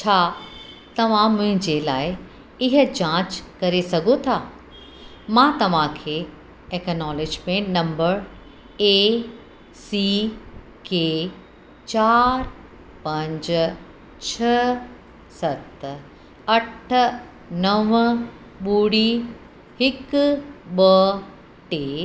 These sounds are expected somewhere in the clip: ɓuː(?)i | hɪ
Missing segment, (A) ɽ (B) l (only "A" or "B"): A